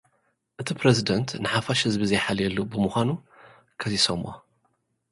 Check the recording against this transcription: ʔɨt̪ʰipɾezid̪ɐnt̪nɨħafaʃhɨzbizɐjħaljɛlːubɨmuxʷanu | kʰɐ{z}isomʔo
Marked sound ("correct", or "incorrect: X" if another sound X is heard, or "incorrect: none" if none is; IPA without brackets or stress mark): correct